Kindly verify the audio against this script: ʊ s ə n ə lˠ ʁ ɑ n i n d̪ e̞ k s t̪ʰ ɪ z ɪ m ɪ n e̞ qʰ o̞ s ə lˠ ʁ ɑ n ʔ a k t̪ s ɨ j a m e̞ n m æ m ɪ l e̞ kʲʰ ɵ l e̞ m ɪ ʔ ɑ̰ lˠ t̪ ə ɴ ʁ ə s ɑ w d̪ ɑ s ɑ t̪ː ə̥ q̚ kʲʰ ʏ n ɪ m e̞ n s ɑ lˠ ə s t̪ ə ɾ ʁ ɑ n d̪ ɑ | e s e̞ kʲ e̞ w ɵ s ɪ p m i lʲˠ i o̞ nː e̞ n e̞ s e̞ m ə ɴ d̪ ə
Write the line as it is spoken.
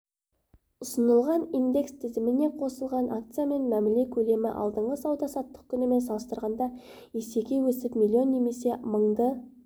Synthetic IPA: ʊ s ə n ə lˠ ʁ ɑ n i n d̪ e̞ k s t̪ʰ ɪ z ɪ m ɪ n e̞ qʰ o̞ s ə lˠ ʁ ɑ n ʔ a k t̪ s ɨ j a m e̞ n m æ m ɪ l e̞ kʲʰ ɵ l e̞ m ɪ ʔ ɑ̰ lˠ d̪ ə ɴ ʁ ə s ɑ w d̪ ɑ s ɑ t̪ː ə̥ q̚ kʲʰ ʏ n ɪ m e̞ n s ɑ lˠ ə s t̪ ə ɾ ʁ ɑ n d̪ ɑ | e s e̞ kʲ e̞ w ɵ s ɪ p m i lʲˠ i o̞ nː e̞ m e̞ s e̞ m ə ɴ d̪ ə